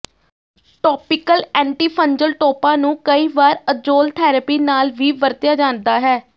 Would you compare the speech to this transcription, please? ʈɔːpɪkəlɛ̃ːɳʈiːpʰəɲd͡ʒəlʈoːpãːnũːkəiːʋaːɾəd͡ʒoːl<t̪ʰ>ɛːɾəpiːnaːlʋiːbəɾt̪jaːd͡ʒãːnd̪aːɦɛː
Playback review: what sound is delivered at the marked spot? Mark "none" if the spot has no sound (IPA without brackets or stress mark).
t̪ʰ